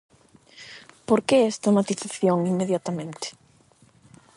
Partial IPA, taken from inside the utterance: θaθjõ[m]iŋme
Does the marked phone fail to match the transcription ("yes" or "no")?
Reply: yes